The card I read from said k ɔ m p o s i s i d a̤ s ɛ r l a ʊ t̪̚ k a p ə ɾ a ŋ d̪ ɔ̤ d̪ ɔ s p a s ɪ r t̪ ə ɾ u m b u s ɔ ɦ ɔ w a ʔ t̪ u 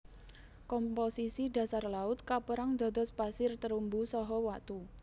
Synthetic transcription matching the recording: k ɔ m p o s i s i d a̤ s a r l a ʊ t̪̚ k a p ə ɾ a ŋ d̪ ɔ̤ d̪ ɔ s p a s ɪ r t̪ ə ɾ u m b u s ɔ ɦ ɔ w a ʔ t̪ u